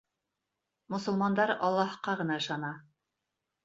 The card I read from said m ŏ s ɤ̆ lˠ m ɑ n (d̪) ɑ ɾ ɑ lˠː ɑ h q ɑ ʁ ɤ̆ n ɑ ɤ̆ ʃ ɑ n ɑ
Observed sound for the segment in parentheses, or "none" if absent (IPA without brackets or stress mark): d̪